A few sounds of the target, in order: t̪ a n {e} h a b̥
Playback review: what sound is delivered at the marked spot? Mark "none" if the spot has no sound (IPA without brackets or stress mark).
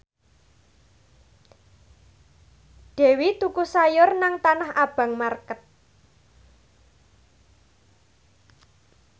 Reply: a